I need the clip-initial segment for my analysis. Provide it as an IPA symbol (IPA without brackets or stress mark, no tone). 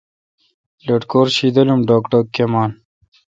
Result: l